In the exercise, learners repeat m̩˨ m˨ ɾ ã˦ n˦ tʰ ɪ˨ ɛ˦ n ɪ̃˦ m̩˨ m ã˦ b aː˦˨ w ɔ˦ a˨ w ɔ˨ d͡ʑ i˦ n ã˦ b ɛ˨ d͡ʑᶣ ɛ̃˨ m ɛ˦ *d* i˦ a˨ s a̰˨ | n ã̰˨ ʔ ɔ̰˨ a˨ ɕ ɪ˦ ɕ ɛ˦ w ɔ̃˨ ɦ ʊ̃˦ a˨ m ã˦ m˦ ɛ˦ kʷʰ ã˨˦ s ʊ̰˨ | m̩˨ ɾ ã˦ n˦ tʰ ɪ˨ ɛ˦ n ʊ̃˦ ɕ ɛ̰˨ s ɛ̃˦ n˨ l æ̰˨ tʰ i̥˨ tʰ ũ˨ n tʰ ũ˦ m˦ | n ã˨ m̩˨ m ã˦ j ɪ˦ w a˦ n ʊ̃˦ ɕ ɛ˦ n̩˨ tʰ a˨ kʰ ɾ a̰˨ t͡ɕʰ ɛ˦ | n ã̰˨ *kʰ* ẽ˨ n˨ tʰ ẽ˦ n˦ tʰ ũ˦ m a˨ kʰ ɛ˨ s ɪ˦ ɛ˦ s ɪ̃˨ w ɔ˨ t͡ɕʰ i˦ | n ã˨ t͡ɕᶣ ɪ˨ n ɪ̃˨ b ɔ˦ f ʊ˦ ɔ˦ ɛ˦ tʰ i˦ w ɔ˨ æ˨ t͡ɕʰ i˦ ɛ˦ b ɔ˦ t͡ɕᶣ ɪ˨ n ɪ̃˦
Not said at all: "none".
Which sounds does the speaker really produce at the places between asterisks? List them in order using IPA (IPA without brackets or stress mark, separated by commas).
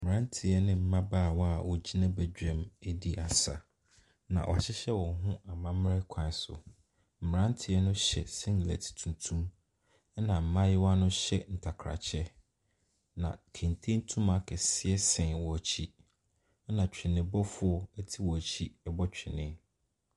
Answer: d, kʰ